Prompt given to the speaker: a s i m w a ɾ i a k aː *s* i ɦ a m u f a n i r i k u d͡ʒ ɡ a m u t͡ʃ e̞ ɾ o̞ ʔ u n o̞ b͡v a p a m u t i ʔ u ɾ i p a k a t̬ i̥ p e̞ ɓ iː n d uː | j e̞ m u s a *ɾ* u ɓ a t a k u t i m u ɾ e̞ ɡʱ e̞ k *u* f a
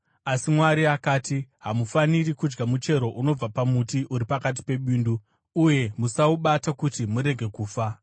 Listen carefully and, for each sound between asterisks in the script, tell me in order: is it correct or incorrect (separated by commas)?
incorrect, incorrect, incorrect